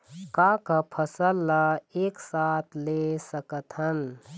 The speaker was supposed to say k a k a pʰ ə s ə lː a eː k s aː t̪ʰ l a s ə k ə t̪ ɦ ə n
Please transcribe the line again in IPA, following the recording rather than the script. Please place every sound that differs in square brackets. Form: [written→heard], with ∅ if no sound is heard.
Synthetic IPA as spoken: k a k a pʰ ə s ə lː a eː k s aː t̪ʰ l [a→e] s ə k ə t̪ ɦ ə n

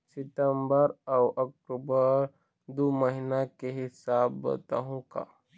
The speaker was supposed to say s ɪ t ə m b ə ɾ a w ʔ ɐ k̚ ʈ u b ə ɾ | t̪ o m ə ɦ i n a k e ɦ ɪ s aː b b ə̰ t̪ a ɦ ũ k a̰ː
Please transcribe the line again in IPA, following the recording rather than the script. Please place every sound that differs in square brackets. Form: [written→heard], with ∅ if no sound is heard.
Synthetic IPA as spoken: s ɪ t ə m b ə ɾ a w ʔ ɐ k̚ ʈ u b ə ɾ | [t̪→d̪] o m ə ɦ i n a k e ɦ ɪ s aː b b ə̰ t̪ a ɦ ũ k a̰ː

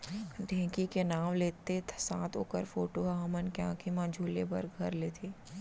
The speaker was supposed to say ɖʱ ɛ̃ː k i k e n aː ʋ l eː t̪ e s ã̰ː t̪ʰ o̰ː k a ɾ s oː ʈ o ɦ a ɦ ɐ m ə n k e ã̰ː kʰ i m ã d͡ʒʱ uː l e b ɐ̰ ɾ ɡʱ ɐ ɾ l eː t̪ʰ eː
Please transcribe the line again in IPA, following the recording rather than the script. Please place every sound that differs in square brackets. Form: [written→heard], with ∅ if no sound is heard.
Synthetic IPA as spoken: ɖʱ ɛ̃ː k i k e n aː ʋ l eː t̪ e s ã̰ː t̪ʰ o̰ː k [a→ə] ɾ [s→f] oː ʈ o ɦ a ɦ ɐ m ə n k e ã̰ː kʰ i m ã d͡ʒʱ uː l e b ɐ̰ ɾ ɡʱ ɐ ɾ l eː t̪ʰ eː

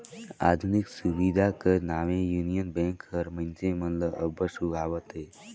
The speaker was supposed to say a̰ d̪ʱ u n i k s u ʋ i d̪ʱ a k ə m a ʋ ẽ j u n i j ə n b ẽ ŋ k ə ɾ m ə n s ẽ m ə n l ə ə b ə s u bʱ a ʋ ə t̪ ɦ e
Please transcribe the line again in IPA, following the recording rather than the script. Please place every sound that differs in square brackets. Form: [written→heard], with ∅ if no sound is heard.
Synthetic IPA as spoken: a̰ d̪ʱ u n i k s u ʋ i d̪ʱ a k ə [m→n] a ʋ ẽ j u n i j ə n b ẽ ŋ k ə ɾ m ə n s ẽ m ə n l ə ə b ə s u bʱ a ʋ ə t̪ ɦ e

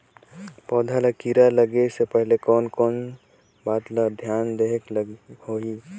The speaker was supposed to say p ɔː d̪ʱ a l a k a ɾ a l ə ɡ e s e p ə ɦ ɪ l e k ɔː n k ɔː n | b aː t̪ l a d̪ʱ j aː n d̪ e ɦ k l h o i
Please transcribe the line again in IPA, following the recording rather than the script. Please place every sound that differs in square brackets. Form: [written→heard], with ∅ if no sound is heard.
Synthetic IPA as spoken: p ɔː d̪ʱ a l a k [a→i] ɾ a l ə ɡ e s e p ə ɦ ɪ l e k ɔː n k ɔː n | b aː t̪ l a d̪ʱ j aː n d̪ e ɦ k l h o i

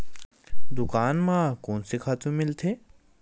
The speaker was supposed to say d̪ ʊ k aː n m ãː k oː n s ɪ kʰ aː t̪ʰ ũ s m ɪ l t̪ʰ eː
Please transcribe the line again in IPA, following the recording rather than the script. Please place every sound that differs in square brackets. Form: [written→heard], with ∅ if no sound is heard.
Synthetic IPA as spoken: d̪ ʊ k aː n m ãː k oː n s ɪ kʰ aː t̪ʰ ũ [s→∅] m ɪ l t̪ʰ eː

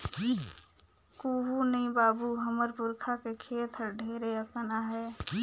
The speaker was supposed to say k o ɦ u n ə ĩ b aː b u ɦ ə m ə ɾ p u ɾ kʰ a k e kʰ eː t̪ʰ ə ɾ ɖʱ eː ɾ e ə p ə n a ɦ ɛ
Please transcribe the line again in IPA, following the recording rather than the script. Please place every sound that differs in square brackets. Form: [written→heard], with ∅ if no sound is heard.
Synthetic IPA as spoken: k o ɦ u n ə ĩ b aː b u ɦ ə m ə ɾ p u ɾ kʰ a k e kʰ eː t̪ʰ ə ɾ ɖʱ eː ɾ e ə [p→k] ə n a ɦ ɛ

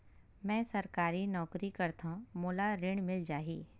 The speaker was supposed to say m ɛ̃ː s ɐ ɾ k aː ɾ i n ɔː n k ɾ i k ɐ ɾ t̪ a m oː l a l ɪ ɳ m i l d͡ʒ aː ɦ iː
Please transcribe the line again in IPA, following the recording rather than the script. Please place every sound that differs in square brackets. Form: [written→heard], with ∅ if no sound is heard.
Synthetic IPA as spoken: m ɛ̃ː s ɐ ɾ k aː ɾ i n ɔː [n→∅] k ɾ i k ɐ ɾ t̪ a m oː l a [l→ɾ] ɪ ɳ m [i→ɪ] l d͡ʒ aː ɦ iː

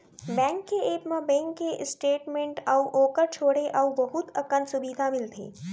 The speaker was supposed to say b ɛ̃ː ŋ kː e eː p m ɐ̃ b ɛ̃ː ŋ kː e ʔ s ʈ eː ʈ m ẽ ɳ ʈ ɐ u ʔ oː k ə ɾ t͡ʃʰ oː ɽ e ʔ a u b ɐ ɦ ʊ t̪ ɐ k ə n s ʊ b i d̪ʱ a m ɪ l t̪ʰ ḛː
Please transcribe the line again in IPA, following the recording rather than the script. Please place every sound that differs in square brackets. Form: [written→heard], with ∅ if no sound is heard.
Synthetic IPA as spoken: b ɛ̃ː ŋ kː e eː p m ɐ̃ b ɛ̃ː ŋ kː e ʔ s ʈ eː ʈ m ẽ ɳ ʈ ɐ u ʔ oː k ə ɾ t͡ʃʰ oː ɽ e ʔ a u b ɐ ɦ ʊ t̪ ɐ k ə n s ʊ b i d̪ʱ a m ɪ l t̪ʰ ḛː

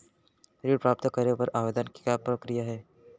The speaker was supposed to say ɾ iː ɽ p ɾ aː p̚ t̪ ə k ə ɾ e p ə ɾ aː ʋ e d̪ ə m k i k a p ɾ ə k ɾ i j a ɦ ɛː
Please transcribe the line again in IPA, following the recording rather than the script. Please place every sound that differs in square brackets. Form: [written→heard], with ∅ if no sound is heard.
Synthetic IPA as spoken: ɾ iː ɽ p ɾ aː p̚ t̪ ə k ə ɾ e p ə ɾ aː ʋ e d̪ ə [m→n] k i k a p ɾ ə k ɾ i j a ɦ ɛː

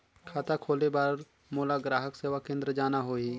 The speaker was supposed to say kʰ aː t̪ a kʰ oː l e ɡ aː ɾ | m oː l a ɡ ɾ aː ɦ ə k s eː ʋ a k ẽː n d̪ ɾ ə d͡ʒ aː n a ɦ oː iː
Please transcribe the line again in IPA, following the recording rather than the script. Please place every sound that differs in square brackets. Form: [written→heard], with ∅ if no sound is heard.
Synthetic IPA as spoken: kʰ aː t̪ a kʰ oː l e [ɡ→b] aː ɾ | m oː l a ɡ ɾ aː ɦ ə k s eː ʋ a k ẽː n d̪ ɾ ə d͡ʒ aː n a ɦ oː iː

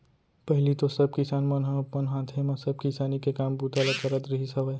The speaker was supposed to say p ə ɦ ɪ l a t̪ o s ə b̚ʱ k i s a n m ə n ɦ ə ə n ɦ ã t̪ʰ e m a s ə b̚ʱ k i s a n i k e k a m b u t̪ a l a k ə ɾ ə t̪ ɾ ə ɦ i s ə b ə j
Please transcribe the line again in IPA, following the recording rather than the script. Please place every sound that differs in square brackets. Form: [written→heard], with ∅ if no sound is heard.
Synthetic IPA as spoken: p ə ɦ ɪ l [a→i] t̪ o s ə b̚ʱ k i s a n m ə n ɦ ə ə n ɦ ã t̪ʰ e m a s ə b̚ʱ k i s a n i k e k a m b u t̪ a l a k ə ɾ ə t̪ ɾ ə ɦ i s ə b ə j

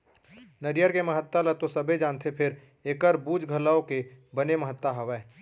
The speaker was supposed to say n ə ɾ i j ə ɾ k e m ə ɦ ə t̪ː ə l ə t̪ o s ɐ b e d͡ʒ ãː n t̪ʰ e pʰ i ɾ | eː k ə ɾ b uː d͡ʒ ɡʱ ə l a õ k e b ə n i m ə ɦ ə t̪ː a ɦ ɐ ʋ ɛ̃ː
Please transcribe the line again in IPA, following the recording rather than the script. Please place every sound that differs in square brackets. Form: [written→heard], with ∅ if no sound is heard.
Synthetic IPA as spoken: n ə ɾ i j ə ɾ k e m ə ɦ ə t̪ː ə l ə t̪ o s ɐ b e d͡ʒ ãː n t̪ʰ e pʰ [i→ɪ] ɾ | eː k ə ɾ b uː d͡ʒ ɡʱ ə l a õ k e b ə n [i→e] m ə ɦ ə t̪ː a ɦ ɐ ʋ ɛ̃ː

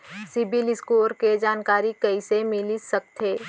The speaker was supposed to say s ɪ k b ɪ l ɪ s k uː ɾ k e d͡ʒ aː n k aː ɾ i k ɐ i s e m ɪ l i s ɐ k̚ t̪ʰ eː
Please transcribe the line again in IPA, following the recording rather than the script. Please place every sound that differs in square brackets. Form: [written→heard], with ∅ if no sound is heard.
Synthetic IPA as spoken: s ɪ [k→∅] b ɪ l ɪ s k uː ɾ k e d͡ʒ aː n k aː ɾ i k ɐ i s e m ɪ l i s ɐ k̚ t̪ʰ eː

